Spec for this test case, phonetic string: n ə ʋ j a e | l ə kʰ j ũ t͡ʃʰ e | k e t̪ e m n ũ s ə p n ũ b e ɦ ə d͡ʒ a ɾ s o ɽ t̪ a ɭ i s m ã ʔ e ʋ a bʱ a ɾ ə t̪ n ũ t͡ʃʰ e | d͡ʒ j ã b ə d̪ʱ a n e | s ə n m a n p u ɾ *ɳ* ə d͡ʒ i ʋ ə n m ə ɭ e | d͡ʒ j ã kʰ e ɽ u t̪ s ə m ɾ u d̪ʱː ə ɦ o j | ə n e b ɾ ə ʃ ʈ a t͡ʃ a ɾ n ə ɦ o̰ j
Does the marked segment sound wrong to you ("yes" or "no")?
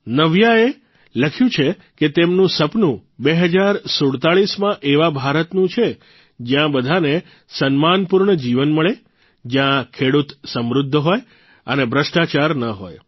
no